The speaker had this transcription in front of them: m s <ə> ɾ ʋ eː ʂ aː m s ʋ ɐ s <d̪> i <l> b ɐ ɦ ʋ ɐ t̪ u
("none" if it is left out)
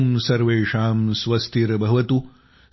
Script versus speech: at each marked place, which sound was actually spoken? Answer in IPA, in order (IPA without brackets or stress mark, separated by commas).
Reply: ɐ, t̪, ɾ